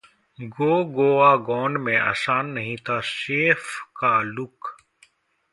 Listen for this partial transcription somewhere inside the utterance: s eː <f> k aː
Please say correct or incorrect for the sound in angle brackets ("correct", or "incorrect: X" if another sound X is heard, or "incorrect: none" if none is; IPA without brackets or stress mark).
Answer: correct